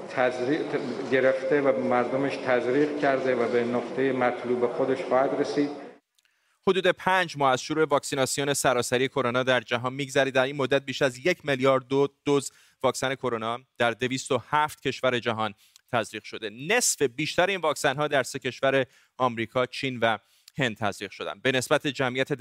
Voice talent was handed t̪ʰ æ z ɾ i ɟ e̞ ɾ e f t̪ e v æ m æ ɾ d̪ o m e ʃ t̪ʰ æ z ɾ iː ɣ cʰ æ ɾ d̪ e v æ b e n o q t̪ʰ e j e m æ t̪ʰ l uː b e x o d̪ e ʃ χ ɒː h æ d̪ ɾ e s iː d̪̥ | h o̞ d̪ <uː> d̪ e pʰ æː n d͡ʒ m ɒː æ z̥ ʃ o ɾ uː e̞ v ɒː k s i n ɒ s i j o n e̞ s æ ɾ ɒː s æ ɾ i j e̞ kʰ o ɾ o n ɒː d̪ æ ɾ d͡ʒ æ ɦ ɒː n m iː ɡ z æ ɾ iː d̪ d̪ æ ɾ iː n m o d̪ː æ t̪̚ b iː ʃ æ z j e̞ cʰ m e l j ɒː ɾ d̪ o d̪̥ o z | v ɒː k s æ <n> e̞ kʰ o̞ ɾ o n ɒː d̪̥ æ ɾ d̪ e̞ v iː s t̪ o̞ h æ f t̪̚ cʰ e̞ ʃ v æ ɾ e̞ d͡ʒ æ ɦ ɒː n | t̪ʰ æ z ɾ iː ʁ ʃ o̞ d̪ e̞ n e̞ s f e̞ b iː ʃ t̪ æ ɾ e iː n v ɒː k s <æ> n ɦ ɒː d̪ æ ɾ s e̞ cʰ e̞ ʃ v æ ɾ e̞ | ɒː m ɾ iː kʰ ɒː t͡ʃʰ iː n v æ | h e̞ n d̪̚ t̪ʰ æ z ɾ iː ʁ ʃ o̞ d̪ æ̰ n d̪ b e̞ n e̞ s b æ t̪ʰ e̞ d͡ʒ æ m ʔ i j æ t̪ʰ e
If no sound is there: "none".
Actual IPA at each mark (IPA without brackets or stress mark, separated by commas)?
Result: uː, n, æ